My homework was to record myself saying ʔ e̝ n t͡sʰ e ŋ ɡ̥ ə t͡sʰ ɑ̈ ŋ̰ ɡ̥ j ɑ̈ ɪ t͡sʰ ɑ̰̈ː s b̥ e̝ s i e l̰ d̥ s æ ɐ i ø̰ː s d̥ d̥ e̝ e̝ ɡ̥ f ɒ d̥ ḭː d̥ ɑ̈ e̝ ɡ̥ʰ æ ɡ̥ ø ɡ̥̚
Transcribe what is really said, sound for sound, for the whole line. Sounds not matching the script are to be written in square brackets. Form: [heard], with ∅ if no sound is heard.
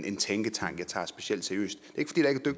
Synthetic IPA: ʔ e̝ n t͡sʰ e ŋ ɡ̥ ə t͡sʰ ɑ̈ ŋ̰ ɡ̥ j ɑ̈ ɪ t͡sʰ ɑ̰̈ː s b̥ e̝ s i e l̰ d̥ s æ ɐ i ø̰ː s d̥ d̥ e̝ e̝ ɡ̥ f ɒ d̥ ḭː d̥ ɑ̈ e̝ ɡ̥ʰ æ [d̥] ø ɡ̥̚